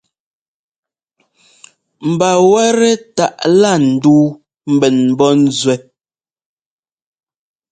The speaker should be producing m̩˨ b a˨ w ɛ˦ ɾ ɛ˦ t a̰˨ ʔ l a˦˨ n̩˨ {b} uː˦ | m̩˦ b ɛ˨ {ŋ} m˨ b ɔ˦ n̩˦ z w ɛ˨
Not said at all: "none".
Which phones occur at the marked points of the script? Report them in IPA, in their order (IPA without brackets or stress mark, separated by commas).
d, n